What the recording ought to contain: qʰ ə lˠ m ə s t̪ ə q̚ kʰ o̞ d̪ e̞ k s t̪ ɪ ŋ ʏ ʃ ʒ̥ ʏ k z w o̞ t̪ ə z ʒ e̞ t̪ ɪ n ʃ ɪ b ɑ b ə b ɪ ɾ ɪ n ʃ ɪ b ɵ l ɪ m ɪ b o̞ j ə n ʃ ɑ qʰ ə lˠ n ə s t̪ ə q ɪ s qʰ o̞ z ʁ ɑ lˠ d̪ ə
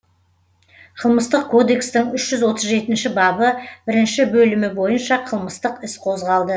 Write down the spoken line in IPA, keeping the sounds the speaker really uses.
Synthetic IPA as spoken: qʰ ə lˠ m ə s t̪ ə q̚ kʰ o̞ d̪ e̞ k s t̪ ɪ ŋ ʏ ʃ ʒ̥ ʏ z w o̞ t̪ ə z ʒ e̞ t̪ ɪ n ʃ ɪ b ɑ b ə b ɪ ɾ ɪ n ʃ ɪ b ɵ l ɪ m ɪ b o̞ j ə n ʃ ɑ qʰ ə lˠ m ə s t̪ ə q ɪ s qʰ o̞ z ʁ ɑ lˠ d̪ ə

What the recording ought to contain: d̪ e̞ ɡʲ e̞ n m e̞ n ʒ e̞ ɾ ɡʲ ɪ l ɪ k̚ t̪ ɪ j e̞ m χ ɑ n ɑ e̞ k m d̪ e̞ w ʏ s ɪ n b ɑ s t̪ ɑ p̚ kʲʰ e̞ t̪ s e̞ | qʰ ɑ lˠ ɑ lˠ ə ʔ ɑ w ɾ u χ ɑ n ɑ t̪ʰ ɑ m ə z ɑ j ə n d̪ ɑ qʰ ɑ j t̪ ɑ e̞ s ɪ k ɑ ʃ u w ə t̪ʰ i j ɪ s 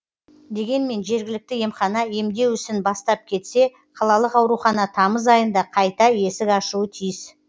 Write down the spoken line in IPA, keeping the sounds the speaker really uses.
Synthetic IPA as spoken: d̪ e̞ ɡʲ e̞ n m e̞ n ʒ e̞ ɾ ɡʲ ɪ l ɪ k̚ t̪ ɪ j e̞ m χ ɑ n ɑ e̞ m d̪ e̞ w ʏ s ɪ n b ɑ s t̪ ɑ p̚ kʲʰ e̞ t̪ s e̞ | qʰ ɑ lˠ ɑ lˠ ə q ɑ w ɾ u χ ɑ n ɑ t̪ʰ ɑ m ə z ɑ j ə n d̪ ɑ qʰ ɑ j t̪ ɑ e̞ s ɪ k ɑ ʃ u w ə t̪ʰ i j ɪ s

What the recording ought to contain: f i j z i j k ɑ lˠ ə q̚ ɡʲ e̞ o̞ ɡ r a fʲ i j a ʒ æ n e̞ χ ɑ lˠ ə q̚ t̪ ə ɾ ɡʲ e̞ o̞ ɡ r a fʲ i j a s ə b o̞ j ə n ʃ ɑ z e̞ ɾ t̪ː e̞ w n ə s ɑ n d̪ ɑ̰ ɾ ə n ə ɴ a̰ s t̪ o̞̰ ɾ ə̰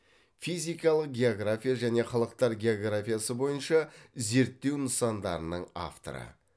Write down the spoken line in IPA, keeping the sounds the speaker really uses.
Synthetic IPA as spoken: f i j z i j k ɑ lˠ ə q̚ ɡʲ e̞ o̞ ɡ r a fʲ i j a ʒ æ n e̞ χ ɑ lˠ ə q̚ t̪ ɑ ɾ ɡʲ e̞ o̞ ɡ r a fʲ i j a s ə b o̞ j ə n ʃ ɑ z e̞ ɾ t̪ː e̞ w n ə s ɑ n d̪ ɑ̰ ɾ ə n ə ɴ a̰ f t̪ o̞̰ ɾ ə̰

